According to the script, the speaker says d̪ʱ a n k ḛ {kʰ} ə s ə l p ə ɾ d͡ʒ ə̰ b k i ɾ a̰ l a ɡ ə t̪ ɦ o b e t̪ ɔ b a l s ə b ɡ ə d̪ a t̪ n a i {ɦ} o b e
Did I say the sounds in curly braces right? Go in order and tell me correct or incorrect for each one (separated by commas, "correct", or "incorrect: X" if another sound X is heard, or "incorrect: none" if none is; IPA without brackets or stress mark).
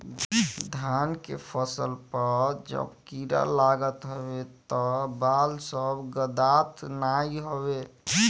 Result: incorrect: pʰ, correct